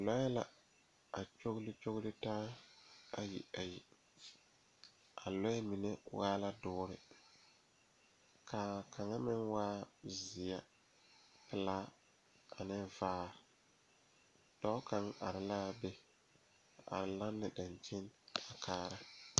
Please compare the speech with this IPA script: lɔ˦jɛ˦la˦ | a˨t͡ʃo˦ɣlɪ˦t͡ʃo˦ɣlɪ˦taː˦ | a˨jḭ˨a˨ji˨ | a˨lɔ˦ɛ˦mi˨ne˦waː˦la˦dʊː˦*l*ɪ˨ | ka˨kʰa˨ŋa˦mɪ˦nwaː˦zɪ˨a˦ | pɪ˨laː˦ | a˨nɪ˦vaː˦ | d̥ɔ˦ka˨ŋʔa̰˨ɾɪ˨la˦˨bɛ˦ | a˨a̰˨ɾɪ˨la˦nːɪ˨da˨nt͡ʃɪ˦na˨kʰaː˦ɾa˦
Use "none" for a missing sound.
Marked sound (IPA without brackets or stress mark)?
ɾ